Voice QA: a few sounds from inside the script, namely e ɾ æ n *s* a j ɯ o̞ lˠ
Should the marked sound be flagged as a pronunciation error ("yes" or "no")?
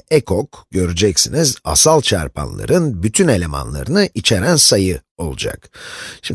no